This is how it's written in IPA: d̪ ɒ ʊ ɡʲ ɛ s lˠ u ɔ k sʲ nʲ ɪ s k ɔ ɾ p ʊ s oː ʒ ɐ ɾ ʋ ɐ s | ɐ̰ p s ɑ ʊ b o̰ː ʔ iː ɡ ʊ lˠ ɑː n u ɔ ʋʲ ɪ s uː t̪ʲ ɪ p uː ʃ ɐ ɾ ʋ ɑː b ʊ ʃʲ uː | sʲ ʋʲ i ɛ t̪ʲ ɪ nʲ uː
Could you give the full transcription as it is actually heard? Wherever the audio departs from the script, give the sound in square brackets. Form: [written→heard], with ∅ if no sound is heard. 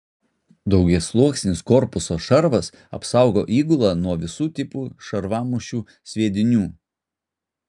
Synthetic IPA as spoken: d̪ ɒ ʊ ɡʲ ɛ s lˠ u ɔ k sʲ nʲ ɪ s k ɔ ɾ p ʊ s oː [ʒ→ʃ] ɐ ɾ ʋ ɐ s | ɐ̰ p s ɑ ʊ [b→ɡ] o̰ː ʔ iː ɡ ʊ lˠ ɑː n u ɔ ʋʲ ɪ s uː t̪ʲ ɪ p uː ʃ ɐ ɾ ʋ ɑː [b→m] ʊ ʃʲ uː | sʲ ʋʲ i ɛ [t̪ʲ→d̪ʲ] ɪ nʲ uː